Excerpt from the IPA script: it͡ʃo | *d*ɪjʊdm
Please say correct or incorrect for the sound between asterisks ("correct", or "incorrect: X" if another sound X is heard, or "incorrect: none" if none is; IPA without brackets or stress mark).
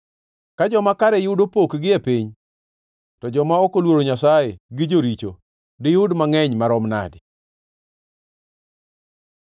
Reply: correct